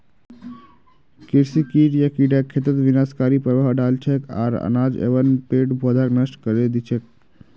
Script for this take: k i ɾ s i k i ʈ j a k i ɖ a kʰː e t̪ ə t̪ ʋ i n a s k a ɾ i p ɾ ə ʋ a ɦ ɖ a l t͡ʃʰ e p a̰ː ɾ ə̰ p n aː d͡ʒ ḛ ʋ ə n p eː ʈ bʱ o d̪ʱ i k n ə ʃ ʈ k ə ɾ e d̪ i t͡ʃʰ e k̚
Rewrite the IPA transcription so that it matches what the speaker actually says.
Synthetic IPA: k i ɾ s i k i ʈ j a k i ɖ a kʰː e t̪ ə t̪ ʋ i n a s k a ɾ i p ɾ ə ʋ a ɦ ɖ a l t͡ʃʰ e k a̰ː ɾ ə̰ n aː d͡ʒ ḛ ʋ ə n p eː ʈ bʱ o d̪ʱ a k n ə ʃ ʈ k ə ɾ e d̪ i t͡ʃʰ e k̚